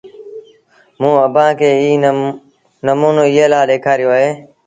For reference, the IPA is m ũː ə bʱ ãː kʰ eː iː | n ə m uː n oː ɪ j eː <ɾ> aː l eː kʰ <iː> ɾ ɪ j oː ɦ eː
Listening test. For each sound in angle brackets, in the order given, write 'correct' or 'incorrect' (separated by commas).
incorrect, incorrect